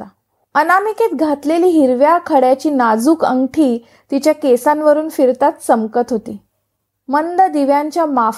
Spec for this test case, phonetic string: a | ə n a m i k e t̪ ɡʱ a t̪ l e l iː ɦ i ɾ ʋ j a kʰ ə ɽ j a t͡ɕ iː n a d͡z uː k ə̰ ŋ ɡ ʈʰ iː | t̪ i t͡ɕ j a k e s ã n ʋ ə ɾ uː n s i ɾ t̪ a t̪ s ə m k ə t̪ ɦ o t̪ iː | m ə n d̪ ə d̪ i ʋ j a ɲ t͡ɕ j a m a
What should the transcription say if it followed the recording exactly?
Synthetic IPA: a | ə n a m i k e t̪ ɡʱ a t̪ l e l iː ɦ i ɾ ʋ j a kʰ ə ɽ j a t͡ɕ iː n a d͡z uː k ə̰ ŋ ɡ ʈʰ iː | t̪ i t͡ɕ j a k e s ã n ʋ ə ɾ uː n f i ɾ t̪ a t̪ s ə m k ə t̪ ɦ o t̪ iː | m ə n d̪ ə d̪ i ʋ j a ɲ t͡ɕ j a m a